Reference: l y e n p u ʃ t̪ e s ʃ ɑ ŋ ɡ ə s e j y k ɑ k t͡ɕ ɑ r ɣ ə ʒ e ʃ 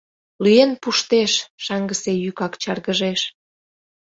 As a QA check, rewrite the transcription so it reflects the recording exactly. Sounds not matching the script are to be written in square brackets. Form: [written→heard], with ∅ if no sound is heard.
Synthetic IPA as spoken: l y e n p u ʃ t̪ e [s→ʃ] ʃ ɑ ŋ ɡ ə s e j y k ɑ k t͡ɕ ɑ r ɣ ə ʒ e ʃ